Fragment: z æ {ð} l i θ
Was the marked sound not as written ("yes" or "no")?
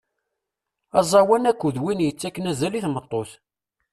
yes